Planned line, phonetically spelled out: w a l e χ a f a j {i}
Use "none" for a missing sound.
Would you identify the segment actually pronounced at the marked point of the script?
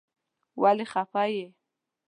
e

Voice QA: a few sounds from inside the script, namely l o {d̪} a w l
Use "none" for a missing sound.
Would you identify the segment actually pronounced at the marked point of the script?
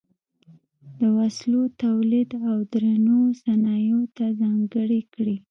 t̪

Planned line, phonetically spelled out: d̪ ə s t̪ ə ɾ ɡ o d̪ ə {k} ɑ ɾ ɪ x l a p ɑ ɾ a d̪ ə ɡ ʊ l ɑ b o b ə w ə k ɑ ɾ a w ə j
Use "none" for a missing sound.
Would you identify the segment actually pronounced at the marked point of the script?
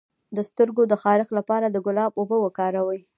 x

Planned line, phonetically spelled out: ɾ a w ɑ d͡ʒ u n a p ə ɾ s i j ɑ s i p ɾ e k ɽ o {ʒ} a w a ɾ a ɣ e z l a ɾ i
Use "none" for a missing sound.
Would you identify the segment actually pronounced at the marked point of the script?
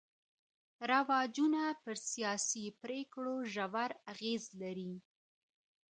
ʒ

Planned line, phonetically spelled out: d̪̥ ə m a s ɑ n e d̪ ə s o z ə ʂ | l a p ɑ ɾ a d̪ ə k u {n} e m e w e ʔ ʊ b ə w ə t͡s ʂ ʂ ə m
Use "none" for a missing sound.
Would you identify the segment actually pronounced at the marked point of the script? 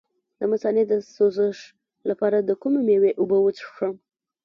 m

